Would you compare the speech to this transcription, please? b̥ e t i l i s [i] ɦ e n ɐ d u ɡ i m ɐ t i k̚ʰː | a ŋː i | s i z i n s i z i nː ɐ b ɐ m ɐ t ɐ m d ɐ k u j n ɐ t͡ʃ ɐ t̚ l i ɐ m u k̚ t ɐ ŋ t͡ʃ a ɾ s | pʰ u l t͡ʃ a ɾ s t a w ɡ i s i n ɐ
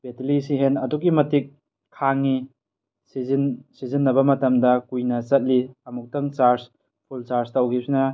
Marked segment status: correct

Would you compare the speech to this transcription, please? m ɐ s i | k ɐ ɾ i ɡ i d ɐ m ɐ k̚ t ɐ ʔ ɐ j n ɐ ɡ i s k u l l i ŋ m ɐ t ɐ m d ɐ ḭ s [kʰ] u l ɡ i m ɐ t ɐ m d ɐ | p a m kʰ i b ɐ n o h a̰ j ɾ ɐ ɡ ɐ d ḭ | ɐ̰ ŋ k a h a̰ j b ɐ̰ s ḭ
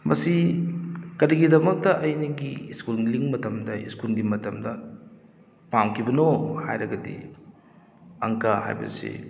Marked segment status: incorrect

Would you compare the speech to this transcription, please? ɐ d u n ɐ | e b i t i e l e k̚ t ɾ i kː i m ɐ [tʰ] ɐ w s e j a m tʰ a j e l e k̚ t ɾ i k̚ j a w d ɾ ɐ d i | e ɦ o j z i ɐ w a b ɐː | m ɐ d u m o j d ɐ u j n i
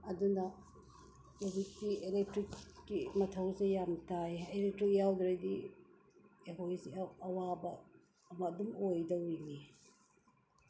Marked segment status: correct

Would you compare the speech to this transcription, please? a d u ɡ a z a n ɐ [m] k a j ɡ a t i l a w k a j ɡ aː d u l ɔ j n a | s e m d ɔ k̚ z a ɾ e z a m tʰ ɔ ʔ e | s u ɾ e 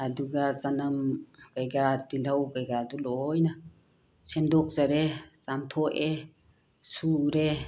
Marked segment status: correct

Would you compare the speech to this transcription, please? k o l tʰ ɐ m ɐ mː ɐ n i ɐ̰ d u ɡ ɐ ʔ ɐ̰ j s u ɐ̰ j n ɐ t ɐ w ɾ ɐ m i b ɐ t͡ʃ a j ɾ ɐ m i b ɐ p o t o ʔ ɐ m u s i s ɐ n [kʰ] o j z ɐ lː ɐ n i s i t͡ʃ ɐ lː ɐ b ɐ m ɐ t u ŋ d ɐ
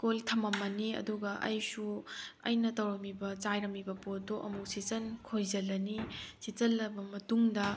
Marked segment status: correct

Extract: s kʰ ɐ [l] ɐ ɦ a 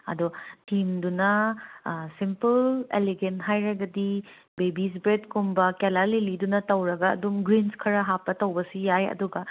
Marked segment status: incorrect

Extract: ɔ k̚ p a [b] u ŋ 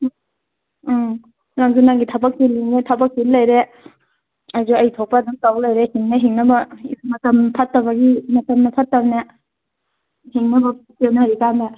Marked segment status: incorrect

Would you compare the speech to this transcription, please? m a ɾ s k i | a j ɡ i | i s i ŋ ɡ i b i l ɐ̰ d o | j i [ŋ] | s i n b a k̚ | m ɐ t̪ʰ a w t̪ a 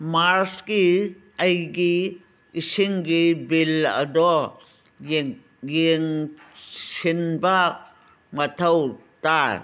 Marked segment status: correct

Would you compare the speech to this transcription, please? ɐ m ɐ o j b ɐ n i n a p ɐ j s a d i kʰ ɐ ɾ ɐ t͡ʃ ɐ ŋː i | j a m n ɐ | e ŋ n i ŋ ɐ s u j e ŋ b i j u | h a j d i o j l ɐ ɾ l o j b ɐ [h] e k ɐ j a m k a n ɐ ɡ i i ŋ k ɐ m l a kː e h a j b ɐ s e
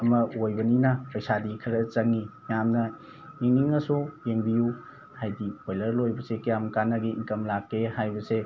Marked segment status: incorrect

